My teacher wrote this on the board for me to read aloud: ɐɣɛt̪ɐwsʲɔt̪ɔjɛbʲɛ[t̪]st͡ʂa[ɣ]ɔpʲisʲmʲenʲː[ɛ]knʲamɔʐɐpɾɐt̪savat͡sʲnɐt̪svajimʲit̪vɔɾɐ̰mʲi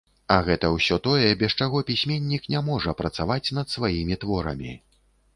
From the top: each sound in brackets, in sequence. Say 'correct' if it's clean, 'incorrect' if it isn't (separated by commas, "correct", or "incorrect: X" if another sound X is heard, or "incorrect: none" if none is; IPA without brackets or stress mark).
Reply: incorrect: none, correct, incorrect: i